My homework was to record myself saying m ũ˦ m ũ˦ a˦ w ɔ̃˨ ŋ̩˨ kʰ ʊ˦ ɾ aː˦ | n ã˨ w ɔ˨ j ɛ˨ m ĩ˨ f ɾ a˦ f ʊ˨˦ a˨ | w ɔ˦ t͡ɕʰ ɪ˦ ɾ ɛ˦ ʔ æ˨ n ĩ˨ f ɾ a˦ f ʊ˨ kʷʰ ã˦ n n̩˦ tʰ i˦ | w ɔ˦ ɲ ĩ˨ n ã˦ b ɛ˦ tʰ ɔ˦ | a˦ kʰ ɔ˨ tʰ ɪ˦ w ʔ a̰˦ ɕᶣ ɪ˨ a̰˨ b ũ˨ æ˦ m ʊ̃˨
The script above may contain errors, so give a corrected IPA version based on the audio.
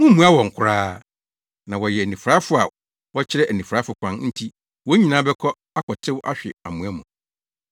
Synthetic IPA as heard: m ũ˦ m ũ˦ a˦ w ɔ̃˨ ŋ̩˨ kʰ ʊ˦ ɾ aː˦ | n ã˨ w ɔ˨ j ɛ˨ n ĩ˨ f ɾ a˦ f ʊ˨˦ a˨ | w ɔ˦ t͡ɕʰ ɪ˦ ɾ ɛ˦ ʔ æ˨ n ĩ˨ f ɾ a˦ f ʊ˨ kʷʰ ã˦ n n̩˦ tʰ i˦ | w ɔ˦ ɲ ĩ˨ n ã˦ b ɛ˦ kʰ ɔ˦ | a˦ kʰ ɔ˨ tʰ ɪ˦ w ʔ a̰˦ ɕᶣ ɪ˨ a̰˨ m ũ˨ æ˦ m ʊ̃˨